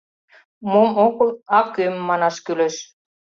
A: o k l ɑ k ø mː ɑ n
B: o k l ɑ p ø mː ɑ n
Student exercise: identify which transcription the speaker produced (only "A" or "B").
A